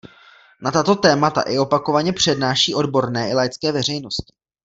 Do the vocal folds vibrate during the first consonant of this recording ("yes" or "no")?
yes